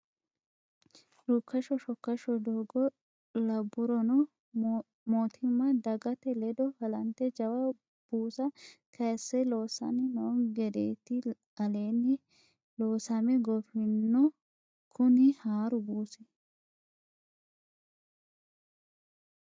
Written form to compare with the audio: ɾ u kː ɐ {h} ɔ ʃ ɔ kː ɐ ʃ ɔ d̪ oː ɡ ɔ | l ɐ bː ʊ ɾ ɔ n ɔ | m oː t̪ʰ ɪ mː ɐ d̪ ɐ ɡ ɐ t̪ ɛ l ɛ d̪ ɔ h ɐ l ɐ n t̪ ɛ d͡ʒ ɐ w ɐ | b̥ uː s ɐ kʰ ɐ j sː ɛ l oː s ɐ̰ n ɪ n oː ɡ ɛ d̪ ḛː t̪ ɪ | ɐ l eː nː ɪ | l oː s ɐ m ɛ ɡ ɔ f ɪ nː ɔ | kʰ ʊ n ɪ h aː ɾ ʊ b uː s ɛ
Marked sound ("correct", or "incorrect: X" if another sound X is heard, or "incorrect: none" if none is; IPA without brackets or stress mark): incorrect: ʃ